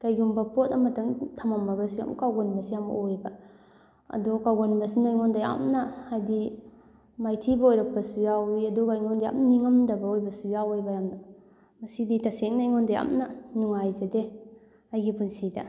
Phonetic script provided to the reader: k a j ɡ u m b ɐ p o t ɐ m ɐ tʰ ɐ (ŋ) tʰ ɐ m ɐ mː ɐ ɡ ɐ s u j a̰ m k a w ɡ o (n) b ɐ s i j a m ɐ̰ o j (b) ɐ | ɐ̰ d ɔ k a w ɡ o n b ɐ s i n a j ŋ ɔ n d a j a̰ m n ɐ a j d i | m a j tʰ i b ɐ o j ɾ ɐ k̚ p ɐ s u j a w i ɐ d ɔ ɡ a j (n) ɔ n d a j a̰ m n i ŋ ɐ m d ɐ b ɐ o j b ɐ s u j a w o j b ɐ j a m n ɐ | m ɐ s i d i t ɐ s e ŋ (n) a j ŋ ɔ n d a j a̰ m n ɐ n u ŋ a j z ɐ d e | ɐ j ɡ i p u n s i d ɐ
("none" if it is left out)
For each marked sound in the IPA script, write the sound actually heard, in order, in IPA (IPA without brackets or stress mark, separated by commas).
ŋ, n, b, ŋ, n